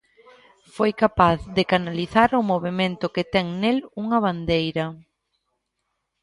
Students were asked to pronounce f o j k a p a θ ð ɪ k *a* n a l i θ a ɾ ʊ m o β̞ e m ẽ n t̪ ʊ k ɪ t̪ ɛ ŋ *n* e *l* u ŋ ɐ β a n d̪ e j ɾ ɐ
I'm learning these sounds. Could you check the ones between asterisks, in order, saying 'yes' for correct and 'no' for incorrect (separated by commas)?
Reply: yes, yes, yes